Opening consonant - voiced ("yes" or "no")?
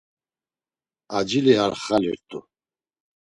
yes